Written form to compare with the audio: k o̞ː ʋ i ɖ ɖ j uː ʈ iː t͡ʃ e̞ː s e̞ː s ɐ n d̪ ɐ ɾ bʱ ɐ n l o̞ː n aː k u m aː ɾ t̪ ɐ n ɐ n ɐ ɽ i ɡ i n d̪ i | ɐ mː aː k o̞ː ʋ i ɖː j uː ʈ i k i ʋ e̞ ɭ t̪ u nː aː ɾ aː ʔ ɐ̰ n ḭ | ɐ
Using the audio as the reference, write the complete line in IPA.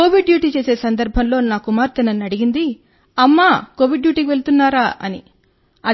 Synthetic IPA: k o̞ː ʋ i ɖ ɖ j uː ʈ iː t͡ʃ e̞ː s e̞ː s ɐ n d̪ ɐ ɾ bʱ ɐ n l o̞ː n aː k u m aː ɾ t̪ ɐ n ɐ n ɐ ɽ i ɡ i n d̪ i | ɐ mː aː k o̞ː ʋ i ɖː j uː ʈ i k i ʋ e̞ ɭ t̪ u nː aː ɾ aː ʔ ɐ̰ n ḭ | ɐ

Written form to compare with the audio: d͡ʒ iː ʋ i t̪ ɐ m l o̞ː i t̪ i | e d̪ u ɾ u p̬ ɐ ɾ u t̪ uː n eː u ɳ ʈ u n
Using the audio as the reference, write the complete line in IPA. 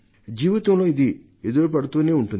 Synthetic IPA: d͡ʒ iː ʋ i t̪ ɐ m l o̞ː i d̪ i | e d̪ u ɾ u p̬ ɐ ɽ u t̪ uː n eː u ɳ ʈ u n

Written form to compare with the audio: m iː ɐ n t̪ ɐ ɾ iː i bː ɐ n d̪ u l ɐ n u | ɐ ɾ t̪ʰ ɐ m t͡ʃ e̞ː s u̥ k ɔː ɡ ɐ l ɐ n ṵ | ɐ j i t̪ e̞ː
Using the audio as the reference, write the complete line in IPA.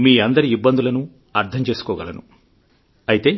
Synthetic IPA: m iː ɐ n d̪ ɐ ɾ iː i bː ɐ n d̪ u l ɐ n u | ɐ ɾ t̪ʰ ɐ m t͡ʃ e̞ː s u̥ k ɔː ɡ ɐ l ɐ n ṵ | ɐ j i t̪ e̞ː

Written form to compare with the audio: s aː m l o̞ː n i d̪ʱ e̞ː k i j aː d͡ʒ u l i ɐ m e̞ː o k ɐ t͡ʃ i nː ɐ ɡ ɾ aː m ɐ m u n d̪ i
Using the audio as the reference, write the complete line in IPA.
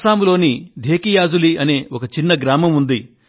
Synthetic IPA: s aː m l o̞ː n i d̪ʱ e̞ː k i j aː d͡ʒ u l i ɐ n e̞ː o k ɐ t͡ʃ i nː ɐ ɡ ɾ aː m ɐ m u n d̪ i

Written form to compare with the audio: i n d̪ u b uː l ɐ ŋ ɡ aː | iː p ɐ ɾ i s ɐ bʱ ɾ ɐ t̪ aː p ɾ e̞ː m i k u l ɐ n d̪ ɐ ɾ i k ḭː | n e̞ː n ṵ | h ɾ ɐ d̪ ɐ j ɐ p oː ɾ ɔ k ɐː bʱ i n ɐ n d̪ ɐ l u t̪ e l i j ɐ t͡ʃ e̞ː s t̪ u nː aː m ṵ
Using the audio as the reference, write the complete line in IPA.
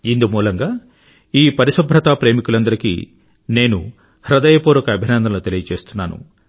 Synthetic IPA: i n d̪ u m uː l ɐ ŋ ɡ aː | iː p ɐ ɾ i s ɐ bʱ ɾ ɐ t̪ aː p ɾ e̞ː m i k u l ɐ n d̪ ɐ ɾ i k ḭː | n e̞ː n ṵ | h ɾ ɐ d̪ ɐ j ɐ p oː ɾ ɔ k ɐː bʱ i n ɐ n d̪ ɐ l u t̪ e l i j ɐ t͡ʃ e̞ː s t̪ u nː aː n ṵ

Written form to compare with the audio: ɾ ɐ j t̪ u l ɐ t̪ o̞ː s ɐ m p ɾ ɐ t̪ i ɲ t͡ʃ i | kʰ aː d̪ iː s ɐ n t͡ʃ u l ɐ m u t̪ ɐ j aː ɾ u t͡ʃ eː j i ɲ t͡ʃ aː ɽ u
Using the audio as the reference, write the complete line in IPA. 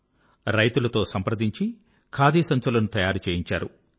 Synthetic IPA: ɾ ɐ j t̪ u l ɐ t̪ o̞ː s ɐ m p ɾ ɐ d̪ i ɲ t͡ʃ i | kʰ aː d̪ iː s ɐ n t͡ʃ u l ɐ n u t̪ ɐ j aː ɾ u t͡ʃ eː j i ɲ t͡ʃ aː ɾ u

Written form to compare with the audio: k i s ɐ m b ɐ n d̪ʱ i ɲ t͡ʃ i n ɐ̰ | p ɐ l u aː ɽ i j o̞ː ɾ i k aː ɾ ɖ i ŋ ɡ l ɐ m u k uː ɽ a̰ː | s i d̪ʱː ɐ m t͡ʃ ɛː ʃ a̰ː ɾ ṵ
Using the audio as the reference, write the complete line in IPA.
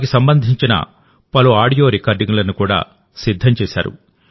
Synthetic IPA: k i s ɐ m b ɐ n d̪ʱ i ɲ t͡ʃ i n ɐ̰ | p ɐ l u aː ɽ i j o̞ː ɾ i k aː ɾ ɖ i ŋ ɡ l ɐ n u k uː ɽ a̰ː | s i d̪ʱː ɐ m t͡ʃ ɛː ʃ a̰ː ɾ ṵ

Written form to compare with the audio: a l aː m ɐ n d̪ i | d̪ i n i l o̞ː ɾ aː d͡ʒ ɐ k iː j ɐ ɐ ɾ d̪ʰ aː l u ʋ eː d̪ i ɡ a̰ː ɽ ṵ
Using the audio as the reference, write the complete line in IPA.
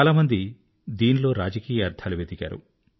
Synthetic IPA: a l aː m ɐ n d̪ i | d̪ iː n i l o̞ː ɾ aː d͡ʒ ɐ k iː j ɐ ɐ ɾ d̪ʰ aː l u ʋ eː d̪ i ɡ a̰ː ɾ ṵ

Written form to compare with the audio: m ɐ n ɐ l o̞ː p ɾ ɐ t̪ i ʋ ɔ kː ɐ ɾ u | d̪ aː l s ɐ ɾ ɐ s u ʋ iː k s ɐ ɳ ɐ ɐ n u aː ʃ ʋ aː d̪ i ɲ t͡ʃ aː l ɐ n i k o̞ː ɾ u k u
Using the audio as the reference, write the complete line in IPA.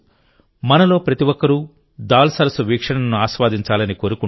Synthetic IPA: m ɐ n ɐ l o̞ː p ɾ ɐ t̪ i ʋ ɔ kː ɐ ɾ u | d̪ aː l s ɐ ɾ ɐ s u ʋ iː k ʂ ɐ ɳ ɐ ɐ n u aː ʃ ʋ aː d̪ i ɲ t͡ʃ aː l ɐ n i k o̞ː ɾ u k u

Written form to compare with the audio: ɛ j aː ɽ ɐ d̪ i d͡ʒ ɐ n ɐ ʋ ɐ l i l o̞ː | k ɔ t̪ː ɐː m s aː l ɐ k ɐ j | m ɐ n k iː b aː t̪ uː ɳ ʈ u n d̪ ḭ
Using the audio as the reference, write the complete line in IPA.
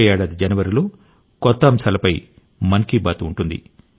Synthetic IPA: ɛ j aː ɽ ɐ d̪ i d͡ʒ ɐ n ɐ ʋ ɐ ɾ i l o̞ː | k ɔ t̪ː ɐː m s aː l ɐ p ɐ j | m ɐ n k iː b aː t̪ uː ɳ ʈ u n d̪ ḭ

